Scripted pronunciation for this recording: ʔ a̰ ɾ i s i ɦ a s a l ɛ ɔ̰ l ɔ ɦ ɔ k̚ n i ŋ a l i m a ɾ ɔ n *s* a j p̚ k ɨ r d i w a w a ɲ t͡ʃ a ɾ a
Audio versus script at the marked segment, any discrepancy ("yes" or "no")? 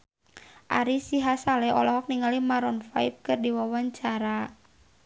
yes